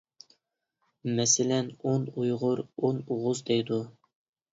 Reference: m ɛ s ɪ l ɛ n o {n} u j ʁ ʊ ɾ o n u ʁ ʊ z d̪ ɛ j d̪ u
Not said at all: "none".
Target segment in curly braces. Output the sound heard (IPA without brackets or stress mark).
n